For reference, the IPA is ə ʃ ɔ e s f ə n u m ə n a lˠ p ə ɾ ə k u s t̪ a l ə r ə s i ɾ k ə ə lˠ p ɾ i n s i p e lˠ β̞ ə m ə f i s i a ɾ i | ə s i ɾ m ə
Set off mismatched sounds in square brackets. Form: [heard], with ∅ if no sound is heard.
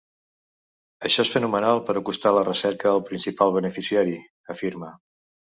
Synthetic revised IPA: ə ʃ ɔ e s f ə n u m ə n a lˠ p ə ɾ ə k u s t̪ a l ə r ə s [ɛ] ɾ k ə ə lˠ p ɾ i n s i p [a] lˠ β̞ ə [n] ə f i s i a ɾ i | ə [f] i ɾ m ə